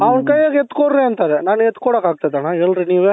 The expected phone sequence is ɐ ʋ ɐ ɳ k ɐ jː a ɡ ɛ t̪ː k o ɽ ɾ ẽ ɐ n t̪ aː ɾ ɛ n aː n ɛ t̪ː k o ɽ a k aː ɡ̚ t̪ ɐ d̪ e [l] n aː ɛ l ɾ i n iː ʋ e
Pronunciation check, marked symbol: incorrect: none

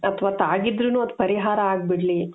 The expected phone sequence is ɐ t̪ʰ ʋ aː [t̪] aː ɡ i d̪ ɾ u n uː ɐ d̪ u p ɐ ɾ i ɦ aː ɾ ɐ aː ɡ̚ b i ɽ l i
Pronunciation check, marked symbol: correct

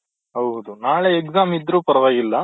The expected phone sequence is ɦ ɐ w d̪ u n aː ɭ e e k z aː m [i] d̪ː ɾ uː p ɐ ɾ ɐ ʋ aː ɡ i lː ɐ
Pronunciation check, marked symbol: correct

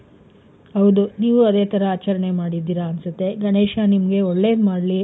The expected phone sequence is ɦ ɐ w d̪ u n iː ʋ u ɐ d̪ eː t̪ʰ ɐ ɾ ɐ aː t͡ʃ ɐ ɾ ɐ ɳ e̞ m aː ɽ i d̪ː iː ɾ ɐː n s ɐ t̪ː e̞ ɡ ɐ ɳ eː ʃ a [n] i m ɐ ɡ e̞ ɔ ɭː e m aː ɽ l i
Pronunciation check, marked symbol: correct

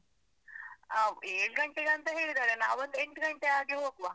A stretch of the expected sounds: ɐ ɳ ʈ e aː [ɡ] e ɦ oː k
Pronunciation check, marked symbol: correct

